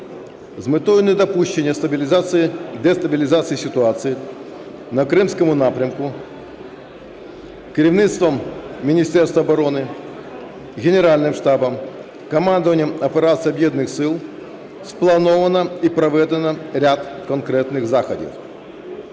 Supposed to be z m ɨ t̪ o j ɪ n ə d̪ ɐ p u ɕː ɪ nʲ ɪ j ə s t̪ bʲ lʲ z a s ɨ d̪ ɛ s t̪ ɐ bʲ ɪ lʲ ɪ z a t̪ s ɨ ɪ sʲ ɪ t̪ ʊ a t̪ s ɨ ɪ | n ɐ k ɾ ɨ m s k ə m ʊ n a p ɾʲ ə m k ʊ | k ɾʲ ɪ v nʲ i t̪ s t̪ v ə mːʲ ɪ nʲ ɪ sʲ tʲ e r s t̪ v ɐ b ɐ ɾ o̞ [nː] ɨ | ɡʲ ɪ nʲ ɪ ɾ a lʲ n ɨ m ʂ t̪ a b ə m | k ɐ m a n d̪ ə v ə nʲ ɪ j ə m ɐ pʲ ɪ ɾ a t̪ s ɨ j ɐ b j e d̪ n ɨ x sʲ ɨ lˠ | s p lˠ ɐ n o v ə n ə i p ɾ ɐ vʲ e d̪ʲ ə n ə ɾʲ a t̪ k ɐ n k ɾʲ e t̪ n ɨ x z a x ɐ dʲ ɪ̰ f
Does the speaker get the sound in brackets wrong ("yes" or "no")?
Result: yes